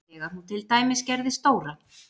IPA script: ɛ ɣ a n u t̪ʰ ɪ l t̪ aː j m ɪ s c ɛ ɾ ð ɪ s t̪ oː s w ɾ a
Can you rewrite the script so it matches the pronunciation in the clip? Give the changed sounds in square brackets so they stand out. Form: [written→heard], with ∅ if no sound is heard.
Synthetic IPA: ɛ ɣ a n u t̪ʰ ɪ l t̪ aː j m ɪ s c ɛ ɾ ð ɪ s t̪ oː [s→∅] w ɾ a